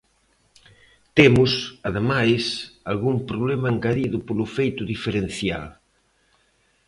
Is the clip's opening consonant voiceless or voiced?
voiceless